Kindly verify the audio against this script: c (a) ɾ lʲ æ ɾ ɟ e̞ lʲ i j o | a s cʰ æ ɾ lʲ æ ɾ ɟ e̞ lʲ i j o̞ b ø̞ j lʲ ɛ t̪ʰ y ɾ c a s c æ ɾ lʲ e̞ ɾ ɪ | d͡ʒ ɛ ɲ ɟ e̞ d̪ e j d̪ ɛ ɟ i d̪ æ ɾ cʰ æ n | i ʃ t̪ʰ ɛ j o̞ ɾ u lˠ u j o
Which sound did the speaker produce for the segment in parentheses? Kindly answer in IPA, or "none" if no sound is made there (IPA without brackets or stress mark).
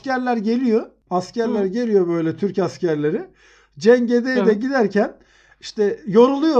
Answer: æ